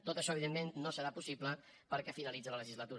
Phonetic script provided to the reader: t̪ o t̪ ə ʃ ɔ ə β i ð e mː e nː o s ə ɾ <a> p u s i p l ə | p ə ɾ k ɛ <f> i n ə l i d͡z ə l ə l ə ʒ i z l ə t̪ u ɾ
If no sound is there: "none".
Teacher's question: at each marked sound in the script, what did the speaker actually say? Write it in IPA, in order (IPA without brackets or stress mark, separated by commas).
a, f